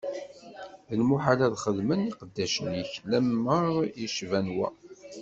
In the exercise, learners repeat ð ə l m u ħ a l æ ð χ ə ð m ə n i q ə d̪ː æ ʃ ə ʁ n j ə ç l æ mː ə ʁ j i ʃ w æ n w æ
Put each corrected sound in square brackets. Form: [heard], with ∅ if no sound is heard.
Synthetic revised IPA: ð ə l m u ħ a l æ ð χ ə ð m ə n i q ə d̪ː æ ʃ ə [∅] n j ə ç l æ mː ə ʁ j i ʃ [v] æ n w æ